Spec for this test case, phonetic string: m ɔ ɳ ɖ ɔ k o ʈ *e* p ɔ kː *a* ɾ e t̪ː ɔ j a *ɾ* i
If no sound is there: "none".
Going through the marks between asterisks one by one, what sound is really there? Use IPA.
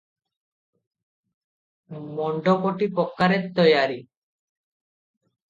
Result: i, a, ɾ

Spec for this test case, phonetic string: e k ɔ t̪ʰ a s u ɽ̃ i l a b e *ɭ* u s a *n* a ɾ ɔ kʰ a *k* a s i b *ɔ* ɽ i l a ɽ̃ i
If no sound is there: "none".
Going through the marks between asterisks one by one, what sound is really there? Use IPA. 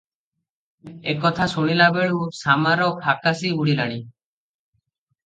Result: ɭ, m, k, u

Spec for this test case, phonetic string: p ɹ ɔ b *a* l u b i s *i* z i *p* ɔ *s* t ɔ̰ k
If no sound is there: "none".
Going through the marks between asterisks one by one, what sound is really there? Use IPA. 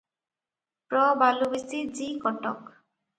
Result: a, i, k, none

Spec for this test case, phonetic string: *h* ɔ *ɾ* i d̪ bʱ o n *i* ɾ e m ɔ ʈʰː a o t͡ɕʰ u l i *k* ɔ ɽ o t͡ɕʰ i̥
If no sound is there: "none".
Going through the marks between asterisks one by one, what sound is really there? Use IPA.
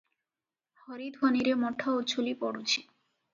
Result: h, ɾ, i, p

